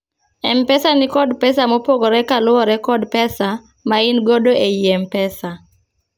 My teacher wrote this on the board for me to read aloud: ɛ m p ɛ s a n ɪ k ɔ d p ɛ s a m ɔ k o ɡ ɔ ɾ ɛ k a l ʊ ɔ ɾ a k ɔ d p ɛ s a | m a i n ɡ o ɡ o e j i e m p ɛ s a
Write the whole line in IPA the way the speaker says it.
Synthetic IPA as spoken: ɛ m p ɛ s a n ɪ k ɔ d p ɛ s a m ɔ p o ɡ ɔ ɾ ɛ k a l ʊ ɔ ɾ ɛ k ɔ d p ɛ s a | m a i n ɡ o d o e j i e m p ɛ s a